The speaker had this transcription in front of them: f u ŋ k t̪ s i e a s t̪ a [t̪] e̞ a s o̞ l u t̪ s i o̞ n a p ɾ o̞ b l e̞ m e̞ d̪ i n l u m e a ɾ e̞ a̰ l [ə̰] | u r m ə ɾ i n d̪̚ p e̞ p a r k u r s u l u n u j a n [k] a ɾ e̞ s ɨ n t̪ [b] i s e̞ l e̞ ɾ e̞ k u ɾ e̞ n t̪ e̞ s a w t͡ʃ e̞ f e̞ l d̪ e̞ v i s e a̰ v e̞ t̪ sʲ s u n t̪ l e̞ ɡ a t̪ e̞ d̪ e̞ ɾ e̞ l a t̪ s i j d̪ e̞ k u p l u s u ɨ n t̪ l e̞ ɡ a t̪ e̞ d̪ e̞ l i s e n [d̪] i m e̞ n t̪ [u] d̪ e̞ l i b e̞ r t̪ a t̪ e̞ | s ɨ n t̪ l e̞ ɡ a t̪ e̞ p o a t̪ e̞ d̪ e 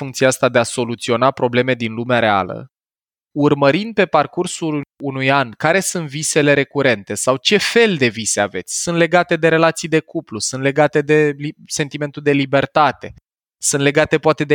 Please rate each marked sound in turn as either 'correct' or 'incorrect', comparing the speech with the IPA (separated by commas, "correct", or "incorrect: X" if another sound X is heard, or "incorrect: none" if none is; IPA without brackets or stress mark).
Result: incorrect: d̪, correct, correct, incorrect: v, incorrect: t̪, correct